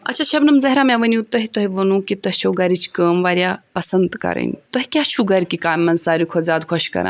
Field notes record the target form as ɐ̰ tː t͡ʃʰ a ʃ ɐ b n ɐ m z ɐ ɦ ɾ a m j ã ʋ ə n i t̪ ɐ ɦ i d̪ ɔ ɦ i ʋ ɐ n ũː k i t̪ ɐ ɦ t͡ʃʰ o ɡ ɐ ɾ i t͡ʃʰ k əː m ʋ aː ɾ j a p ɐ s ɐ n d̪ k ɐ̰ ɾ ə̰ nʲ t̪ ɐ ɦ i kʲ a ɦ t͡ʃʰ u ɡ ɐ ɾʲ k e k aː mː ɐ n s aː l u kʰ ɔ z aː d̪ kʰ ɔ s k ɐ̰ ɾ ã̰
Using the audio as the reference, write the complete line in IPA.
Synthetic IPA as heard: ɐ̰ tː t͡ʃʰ a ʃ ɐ b n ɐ m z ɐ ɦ ɾ a m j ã ʋ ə n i t̪ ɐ ɦ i t̪ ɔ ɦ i ʋ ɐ n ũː k i t̪ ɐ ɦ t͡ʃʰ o ɡ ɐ ɾ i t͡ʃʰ k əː m ʋ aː ɾ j a p ɐ s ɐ n d̪ k ɐ̰ ɾ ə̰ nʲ t̪ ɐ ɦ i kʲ a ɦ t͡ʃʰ u ɡ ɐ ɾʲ k i k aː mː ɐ n s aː ɾ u kʰ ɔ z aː d̪ kʰ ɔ ʃ k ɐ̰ ɾ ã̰